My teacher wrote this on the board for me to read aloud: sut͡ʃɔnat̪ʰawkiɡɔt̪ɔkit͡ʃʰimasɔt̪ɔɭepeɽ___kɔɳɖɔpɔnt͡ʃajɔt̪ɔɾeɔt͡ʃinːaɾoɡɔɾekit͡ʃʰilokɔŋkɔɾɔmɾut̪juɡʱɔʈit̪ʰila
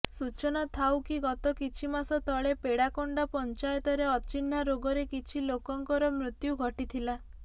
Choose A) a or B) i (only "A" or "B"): A